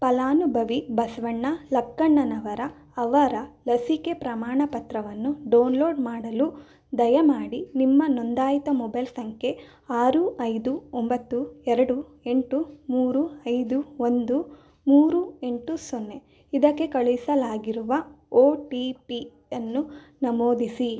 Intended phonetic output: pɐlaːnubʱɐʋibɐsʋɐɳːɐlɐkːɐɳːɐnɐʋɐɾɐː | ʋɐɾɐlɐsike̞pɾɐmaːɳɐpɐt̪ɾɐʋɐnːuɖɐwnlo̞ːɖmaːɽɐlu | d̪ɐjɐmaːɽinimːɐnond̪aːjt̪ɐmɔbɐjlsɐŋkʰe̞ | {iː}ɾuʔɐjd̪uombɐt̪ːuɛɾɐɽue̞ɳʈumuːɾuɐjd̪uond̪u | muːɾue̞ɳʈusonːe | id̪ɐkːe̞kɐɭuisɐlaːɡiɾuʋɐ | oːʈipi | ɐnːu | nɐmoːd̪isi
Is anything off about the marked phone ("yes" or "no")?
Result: yes